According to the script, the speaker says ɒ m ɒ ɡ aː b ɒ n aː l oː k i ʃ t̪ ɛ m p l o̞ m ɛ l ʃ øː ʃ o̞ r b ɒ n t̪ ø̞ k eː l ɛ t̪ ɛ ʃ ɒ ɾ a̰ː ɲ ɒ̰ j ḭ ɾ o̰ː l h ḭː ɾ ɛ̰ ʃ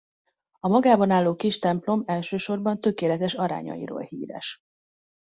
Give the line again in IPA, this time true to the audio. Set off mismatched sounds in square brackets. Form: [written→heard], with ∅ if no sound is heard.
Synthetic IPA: ɒ m ɒ ɡ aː b ɒ n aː [l→lː] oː k i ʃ t̪ ɛ m p l o̞ m ɛ l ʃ øː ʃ o̞ r b ɒ n t̪ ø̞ k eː l ɛ t̪ ɛ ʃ ɒ ɾ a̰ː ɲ ɒ̰ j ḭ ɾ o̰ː l h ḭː ɾ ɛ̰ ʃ

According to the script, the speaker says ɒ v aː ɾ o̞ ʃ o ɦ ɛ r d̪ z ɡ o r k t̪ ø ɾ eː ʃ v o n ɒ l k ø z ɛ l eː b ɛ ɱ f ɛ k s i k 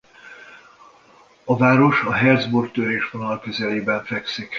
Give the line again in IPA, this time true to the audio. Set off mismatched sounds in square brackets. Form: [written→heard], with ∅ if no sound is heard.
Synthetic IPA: ɒ v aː ɾ o̞ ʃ [o→ɒ] ɦ ɛ r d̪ z [ɡ→b] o r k t̪ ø ɾ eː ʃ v o n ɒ l k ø z ɛ l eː b ɛ ɱ f ɛ k s i k

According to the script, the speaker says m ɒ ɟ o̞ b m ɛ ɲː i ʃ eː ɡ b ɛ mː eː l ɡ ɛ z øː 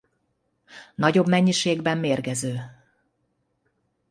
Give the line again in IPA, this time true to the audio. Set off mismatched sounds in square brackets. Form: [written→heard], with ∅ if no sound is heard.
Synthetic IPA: [m→n] ɒ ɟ o̞ b m ɛ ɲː i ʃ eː ɡ b ɛ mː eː [l→r] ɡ ɛ z øː

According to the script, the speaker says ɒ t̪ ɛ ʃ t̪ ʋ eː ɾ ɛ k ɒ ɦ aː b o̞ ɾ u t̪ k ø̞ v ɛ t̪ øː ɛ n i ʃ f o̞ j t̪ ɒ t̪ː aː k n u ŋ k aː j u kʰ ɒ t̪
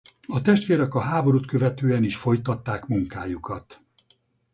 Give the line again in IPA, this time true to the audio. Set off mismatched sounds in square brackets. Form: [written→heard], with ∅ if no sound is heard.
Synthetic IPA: ɒ t̪ ɛ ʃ t̪ ʋ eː ɾ ɛ k ɒ ɦ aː b o̞ ɾ u t̪ k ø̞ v ɛ t̪ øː ɛ n i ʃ f o̞ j t̪ ɒ t̪ː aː k [n→m] u ŋ k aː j u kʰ ɒ t̪

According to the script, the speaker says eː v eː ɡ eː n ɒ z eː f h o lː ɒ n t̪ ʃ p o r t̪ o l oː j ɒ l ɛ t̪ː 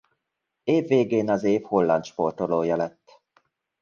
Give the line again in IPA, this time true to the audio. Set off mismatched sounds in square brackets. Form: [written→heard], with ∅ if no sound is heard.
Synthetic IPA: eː [v→vː] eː ɡ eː n ɒ z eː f h o lː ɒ n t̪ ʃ p o r t̪ o l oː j ɒ l ɛ t̪ː

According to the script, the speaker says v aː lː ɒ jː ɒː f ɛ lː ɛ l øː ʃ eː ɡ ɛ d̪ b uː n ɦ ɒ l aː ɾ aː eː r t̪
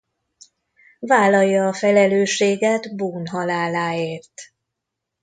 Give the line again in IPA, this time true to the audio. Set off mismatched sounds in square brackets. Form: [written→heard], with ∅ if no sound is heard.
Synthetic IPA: v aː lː ɒ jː ɒː f ɛ [lː→l] ɛ l øː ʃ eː ɡ ɛ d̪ b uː n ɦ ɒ l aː [ɾ→l] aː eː r t̪

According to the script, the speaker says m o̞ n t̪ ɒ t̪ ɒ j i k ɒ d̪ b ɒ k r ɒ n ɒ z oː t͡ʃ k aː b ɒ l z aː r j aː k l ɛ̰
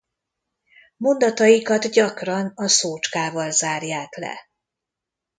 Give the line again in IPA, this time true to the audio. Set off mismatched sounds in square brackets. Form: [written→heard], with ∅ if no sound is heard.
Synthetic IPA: m o̞ n [t̪→d̪] ɒ t̪ ɒ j i k ɒ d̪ [b→ɟ] ɒ k r ɒ n ɒ [z→s] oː t͡ʃ k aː [b→v] ɒ l z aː r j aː k l ɛ̰

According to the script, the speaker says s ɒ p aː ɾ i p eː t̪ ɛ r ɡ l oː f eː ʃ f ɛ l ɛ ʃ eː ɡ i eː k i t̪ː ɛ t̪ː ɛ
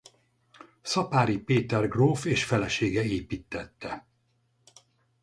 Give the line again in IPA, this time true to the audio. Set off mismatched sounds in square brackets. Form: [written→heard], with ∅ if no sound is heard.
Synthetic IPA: s ɒ p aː ɾ i p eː t̪ ɛ r ɡ [l→r] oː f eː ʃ f ɛ l ɛ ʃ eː ɡ [i→ɛ] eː [k→p] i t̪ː ɛ t̪ː ɛ

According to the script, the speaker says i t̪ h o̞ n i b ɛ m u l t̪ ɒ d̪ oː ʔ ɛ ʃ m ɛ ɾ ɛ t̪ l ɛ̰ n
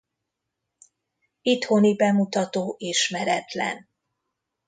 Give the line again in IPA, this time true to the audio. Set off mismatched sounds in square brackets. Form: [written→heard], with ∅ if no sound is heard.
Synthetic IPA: i t̪ h o̞ n i b ɛ m u [l→∅] t̪ ɒ [d̪→t̪] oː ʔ [ɛ→i] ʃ m ɛ ɾ ɛ t̪ l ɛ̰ n

